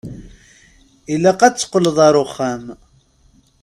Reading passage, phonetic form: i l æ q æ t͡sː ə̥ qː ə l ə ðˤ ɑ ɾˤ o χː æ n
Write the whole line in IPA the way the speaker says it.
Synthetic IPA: i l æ q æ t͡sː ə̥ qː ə l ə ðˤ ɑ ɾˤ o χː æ m